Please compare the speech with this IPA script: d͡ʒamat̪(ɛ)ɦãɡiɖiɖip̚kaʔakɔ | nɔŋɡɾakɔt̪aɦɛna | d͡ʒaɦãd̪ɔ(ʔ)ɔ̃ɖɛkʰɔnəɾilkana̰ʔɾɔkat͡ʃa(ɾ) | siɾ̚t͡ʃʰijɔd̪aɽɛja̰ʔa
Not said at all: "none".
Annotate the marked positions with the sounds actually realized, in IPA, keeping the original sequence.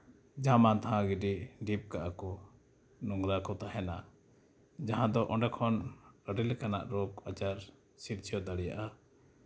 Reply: a, ʔ, ɾ

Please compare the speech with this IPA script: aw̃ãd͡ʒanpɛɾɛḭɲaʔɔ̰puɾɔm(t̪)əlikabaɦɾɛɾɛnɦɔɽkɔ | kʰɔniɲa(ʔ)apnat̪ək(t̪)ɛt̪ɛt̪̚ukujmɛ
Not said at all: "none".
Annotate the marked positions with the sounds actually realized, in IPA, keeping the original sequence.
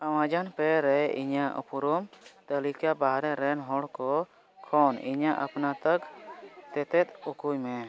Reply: t̪, ʔ, t̪

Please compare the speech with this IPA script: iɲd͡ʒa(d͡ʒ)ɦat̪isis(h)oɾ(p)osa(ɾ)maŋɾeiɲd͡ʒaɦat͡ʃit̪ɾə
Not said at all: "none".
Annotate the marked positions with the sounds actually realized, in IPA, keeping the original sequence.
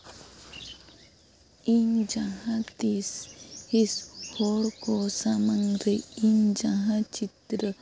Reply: none, h, k, none

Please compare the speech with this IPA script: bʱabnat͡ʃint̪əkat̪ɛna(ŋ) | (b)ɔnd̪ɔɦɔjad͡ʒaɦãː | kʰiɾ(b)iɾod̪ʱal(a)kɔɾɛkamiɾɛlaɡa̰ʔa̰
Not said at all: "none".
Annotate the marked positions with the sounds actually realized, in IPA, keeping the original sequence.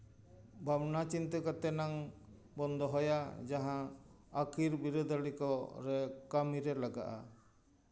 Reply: ŋ, b, b, i

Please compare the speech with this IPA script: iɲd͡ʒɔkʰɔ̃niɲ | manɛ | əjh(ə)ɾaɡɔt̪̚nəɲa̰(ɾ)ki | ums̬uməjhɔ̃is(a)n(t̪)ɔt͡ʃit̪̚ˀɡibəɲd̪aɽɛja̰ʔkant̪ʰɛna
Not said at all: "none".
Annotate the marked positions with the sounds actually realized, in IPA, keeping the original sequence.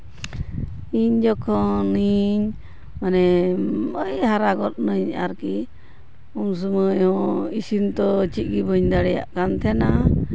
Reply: a, ɾ, i, t̪

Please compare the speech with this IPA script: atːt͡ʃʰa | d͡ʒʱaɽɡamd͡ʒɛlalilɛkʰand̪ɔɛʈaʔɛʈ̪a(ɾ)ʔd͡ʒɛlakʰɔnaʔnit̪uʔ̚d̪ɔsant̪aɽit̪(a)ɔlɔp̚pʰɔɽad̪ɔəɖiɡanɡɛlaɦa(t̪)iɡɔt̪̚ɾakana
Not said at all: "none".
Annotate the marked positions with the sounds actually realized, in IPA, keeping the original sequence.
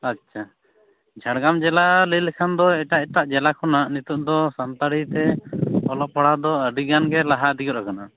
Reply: none, ɛ, d̪

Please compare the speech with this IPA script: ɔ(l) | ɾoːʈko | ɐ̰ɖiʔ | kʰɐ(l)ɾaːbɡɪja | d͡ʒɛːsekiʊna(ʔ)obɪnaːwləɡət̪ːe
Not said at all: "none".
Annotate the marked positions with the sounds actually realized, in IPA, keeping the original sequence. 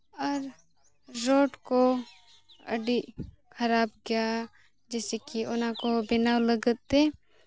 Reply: ɾ, none, k

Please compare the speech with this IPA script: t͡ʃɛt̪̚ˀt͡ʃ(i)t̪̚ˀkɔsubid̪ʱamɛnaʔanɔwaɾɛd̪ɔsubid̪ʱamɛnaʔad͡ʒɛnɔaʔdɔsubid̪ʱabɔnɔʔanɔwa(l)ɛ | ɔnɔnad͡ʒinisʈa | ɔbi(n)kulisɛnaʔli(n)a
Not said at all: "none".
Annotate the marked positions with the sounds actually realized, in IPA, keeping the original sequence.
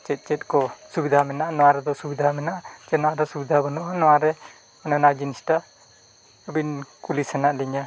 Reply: ɛ, ɾ, n, ɲ

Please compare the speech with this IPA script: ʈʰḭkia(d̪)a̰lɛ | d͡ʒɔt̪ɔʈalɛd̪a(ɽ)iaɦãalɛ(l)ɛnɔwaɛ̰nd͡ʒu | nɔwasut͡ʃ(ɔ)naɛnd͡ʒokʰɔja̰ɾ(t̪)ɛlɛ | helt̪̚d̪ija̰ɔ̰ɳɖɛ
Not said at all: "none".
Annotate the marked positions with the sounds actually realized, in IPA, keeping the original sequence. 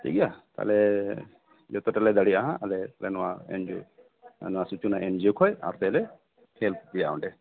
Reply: t̪, ɽ, l, u, t̪

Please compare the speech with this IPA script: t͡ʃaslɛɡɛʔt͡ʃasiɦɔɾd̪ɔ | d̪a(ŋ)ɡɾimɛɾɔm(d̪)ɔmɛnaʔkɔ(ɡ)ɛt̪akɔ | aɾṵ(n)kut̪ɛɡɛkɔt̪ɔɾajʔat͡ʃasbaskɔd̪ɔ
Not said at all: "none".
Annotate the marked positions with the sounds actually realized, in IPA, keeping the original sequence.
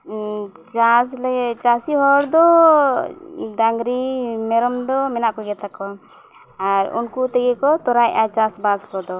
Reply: ŋ, d̪, ɡ, n

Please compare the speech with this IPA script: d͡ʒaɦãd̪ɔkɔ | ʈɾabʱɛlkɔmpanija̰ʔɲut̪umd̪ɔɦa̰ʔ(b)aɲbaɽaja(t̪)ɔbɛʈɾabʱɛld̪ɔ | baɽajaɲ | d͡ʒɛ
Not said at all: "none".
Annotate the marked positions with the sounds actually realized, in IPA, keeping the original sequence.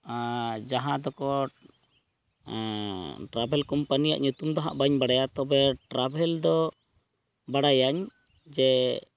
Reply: b, t̪

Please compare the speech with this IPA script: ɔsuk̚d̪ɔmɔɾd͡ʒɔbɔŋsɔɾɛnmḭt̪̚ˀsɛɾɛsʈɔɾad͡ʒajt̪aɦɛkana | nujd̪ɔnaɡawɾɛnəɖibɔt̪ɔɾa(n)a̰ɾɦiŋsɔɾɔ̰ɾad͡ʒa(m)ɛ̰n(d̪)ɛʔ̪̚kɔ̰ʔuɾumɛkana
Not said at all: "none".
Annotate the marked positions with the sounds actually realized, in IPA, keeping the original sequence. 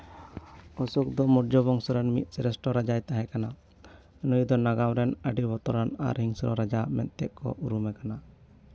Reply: n, m, t̪

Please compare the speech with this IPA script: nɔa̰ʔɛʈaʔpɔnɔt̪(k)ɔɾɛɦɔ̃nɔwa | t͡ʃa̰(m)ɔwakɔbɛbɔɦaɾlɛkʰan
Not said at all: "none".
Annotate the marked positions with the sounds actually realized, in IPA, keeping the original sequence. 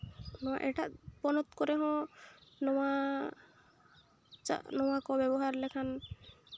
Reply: k, n

